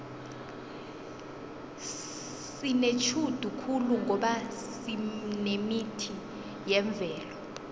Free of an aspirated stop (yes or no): no